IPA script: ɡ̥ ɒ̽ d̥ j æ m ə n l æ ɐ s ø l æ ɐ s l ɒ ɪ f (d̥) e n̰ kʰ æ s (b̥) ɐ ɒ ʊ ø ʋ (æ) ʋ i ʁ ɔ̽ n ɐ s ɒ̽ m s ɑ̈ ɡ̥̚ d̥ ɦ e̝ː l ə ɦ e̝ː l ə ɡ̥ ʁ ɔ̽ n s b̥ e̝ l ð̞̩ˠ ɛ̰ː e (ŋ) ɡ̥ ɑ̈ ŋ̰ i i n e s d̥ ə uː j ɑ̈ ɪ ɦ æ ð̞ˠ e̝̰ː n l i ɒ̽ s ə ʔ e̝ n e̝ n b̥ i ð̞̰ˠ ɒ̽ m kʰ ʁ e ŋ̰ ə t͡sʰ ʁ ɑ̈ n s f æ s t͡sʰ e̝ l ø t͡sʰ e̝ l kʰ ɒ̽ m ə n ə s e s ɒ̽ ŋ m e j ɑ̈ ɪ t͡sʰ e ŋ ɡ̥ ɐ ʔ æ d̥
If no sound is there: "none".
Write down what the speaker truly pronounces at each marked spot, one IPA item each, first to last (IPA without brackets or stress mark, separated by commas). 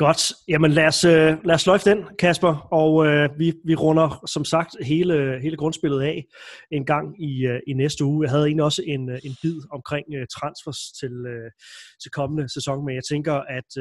d̥, b̥, i, n